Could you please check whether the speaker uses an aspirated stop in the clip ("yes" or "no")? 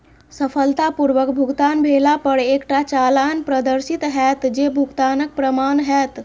no